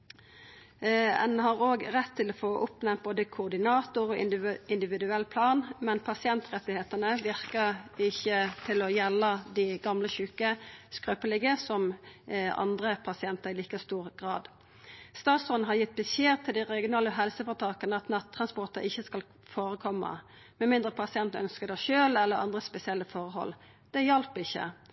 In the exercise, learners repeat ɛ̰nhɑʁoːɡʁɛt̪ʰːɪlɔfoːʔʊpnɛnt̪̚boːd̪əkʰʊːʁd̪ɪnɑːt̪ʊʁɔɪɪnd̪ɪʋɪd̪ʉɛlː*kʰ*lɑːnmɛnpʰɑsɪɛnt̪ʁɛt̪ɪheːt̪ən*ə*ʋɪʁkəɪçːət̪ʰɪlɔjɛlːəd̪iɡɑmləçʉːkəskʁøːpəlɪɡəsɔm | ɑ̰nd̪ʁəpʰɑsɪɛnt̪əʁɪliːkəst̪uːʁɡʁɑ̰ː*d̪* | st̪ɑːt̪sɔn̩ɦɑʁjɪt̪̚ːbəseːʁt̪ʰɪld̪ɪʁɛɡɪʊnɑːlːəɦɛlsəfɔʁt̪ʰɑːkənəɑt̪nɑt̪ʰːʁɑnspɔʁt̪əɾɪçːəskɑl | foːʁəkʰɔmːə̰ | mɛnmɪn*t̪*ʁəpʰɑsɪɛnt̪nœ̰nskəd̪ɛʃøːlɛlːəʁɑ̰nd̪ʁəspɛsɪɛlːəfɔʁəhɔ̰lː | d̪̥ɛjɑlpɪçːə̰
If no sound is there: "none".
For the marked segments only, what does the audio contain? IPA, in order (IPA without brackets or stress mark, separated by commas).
pʰ, ə, d̪, d̪